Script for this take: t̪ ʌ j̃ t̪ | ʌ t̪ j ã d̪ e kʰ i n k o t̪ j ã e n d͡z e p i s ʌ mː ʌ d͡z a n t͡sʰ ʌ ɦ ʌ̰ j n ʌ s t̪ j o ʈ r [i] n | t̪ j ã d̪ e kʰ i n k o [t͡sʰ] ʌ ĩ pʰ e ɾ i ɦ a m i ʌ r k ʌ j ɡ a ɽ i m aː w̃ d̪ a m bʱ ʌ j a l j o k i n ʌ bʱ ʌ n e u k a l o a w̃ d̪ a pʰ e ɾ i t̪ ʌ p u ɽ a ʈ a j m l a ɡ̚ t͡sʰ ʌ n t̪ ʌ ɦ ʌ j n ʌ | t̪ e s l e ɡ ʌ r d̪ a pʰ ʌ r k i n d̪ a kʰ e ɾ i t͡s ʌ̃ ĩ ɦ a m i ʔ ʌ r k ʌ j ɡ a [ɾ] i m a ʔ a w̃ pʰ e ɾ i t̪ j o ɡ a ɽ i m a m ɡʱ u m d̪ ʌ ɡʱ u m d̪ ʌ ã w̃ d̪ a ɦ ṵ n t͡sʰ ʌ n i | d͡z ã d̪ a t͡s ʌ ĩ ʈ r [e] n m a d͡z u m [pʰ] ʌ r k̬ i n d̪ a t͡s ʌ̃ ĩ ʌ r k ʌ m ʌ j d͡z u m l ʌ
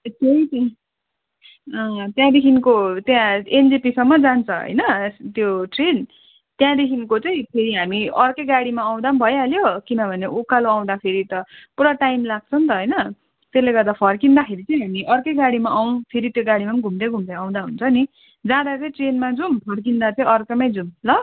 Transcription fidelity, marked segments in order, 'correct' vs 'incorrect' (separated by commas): incorrect, incorrect, incorrect, correct, correct